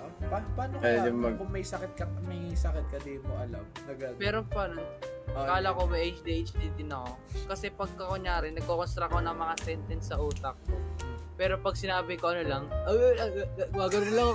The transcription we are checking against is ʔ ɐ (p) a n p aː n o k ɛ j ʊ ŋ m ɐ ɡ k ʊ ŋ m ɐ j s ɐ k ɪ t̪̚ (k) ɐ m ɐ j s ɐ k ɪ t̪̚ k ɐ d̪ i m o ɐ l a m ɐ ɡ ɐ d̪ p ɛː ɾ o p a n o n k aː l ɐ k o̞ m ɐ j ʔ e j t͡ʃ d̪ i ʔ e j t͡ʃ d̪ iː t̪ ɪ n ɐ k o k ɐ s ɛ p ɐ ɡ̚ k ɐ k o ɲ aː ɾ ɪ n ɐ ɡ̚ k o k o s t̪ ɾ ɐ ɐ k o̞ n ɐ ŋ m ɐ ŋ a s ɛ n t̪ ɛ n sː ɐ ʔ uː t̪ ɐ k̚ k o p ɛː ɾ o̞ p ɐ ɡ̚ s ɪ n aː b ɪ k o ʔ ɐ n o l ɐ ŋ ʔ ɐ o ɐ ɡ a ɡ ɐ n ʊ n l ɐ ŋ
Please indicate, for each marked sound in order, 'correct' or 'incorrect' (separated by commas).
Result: correct, correct